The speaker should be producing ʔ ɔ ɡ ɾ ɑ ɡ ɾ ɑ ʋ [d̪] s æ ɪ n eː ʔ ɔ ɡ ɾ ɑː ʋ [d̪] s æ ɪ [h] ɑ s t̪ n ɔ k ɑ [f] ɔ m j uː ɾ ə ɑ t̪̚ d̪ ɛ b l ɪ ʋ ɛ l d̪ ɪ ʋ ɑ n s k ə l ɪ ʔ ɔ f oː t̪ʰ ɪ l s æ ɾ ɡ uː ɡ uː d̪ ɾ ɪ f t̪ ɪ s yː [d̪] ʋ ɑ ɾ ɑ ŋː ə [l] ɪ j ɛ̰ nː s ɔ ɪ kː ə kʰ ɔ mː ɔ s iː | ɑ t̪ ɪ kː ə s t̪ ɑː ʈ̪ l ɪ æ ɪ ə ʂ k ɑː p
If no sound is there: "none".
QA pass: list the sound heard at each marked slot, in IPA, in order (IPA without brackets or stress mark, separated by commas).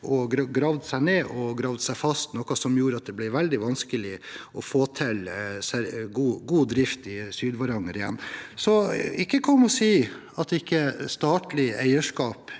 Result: d̪, d̪, f, s, d̪, ɾ